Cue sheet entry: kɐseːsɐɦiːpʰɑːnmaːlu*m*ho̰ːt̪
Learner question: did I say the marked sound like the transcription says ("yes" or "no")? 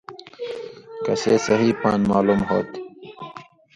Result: yes